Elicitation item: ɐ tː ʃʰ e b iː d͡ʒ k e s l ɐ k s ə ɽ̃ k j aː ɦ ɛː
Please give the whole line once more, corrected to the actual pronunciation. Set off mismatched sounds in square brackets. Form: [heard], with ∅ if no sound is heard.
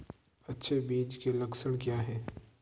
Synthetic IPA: ɐ tː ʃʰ e b iː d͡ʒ k e [∅] l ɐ k s ə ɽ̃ k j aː ɦ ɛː